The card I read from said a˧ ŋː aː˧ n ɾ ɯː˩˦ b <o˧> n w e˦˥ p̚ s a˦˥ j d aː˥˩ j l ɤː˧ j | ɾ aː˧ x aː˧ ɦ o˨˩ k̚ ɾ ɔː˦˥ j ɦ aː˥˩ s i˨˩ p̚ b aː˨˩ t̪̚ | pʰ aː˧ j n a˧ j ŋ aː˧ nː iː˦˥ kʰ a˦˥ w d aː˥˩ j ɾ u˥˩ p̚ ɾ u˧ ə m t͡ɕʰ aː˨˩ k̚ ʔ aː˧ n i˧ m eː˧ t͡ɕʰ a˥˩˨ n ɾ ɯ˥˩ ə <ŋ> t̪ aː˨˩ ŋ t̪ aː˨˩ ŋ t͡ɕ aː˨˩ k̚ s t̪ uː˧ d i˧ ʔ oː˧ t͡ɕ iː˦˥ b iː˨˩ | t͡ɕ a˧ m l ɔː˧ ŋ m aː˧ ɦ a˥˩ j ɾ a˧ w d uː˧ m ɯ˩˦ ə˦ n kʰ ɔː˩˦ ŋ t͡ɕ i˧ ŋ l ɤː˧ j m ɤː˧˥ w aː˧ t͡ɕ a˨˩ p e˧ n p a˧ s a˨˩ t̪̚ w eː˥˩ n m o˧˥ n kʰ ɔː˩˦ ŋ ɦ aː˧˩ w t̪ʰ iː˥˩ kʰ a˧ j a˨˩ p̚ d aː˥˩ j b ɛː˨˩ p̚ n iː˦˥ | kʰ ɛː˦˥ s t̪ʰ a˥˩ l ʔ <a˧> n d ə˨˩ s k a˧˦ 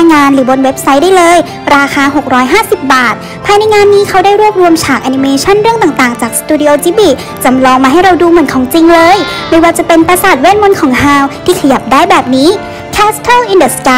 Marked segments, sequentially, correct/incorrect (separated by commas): correct, correct, incorrect